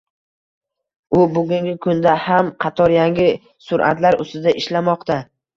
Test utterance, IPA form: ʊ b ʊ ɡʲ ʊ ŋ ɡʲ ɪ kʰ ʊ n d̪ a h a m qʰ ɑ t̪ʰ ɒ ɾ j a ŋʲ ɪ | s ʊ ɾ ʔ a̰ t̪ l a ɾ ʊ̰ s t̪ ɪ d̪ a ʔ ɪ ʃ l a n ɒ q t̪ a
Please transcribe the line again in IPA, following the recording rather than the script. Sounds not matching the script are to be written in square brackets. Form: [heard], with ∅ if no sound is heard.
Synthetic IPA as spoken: ʊ b ʊ ɡʲ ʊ ŋ ɡʲ ɪ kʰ ʊ n d̪ a h a m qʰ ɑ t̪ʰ ɒ ɾ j a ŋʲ ɪ | s ʊ ɾ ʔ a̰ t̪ l a ɾ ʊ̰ s t̪ ɪ d̪ a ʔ ɪ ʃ l a [m] ɒ q t̪ a